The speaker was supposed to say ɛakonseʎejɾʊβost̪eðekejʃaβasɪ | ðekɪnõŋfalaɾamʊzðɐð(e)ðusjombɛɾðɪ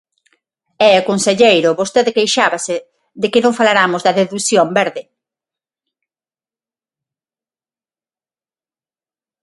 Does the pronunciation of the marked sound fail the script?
no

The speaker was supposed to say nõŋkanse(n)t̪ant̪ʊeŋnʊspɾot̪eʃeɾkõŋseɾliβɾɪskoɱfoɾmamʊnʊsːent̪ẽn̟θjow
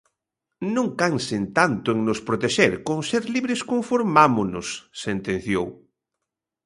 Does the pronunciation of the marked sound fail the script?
no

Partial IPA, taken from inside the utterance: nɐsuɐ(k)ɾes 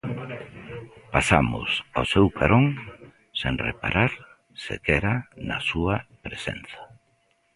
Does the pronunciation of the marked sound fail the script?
yes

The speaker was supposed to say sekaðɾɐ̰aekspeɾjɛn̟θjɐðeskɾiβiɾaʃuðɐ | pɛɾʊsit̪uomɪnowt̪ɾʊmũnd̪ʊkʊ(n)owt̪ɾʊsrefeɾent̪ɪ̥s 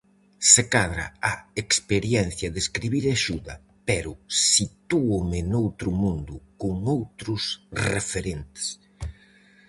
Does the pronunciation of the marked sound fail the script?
yes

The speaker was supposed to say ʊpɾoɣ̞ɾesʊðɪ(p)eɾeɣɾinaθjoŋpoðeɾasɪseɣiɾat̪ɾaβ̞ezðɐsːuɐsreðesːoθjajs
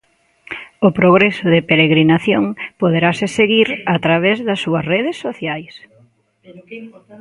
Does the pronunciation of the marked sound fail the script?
no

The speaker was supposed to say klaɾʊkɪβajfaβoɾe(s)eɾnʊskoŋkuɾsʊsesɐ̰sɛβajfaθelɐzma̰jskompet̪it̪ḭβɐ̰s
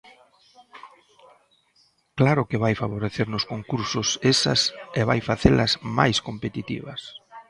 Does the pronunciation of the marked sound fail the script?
yes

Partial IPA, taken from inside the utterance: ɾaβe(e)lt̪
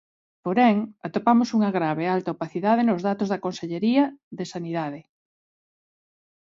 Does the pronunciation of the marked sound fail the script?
yes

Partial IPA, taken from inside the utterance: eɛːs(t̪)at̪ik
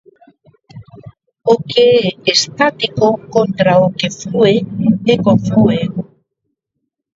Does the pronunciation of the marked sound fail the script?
no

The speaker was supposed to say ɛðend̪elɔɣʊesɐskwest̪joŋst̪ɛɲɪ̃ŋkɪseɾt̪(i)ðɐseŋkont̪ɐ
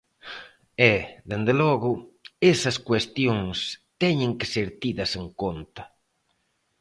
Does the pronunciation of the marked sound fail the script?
no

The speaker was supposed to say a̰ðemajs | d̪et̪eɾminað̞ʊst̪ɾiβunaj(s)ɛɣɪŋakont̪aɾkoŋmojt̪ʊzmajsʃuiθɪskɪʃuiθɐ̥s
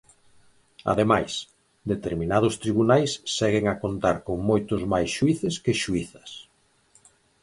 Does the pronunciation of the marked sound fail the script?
yes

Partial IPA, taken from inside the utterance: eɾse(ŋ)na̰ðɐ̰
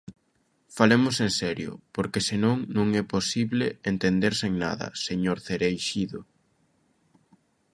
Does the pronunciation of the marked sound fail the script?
no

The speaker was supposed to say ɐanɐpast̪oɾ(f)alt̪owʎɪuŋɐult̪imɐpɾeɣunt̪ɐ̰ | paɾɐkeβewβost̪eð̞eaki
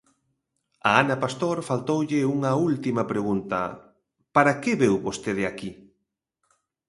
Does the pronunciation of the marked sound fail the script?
no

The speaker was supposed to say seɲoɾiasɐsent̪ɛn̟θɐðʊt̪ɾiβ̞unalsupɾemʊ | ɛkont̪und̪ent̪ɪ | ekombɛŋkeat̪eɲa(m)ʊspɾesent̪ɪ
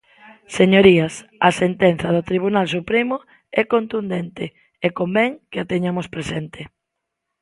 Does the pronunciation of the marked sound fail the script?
no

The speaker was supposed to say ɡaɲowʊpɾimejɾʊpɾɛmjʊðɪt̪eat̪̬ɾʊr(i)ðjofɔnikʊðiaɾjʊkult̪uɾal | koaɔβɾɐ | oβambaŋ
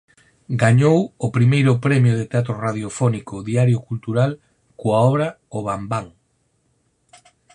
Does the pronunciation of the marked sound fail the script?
yes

